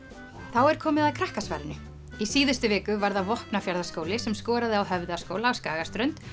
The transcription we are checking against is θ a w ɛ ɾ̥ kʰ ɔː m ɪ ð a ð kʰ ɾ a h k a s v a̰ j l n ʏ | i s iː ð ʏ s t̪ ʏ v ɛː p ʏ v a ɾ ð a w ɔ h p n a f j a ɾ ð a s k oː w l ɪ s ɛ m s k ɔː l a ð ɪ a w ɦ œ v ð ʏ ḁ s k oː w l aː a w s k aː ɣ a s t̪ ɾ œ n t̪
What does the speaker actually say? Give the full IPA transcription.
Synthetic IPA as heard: θ a w ɛ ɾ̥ kʰ ɔː m ɪ ð a ð kʰ ɾ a h k a s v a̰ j l n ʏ | i s iː ð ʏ s t̪ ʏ v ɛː k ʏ v a ɾ ð a v ɔ h p n a f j a ɾ ð a s k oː w l ɪ s ɛ m s k ɔː ɾ a ð ɪ a w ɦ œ v ð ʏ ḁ s k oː w l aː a w s k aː ɣ a s t̪ ɾ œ n t̪